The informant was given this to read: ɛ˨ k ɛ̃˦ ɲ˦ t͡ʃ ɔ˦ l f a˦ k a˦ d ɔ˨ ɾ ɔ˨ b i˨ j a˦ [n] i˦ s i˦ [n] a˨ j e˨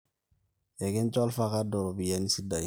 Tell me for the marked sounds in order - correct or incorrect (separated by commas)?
correct, incorrect